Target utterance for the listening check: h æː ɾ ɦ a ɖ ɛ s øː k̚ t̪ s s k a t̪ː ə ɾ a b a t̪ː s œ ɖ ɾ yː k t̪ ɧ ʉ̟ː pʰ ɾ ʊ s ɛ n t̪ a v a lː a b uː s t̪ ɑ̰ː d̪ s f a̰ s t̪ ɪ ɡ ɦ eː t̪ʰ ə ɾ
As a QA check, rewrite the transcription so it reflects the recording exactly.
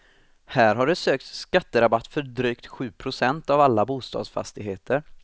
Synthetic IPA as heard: h æː ɾ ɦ a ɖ ɛ s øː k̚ t̪ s s k a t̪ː ə ɾ a b a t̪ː f œ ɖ ɾ yː k t̪ ɧ ʉ̟ː pʰ ɾ ʊ s ɛ n t̪ a v a lː a b uː s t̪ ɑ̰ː d̪ s f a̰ s t̪ ɪ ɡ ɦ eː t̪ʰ ə ɾ